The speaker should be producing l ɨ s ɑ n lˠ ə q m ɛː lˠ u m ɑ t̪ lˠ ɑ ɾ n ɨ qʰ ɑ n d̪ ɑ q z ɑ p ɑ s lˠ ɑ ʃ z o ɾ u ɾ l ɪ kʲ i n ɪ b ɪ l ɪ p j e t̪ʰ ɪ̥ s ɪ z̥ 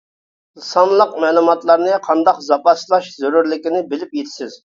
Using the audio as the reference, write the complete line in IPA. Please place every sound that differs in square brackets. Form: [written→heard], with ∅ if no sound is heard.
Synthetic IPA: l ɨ s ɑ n lˠ ə q m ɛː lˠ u m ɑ t̪ lˠ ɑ ɾ n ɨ qʰ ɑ n d̪ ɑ q z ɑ p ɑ s lˠ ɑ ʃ z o ɾ u ɾ l ɪ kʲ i n ɪ b ɪ l ɪ p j e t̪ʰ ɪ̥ s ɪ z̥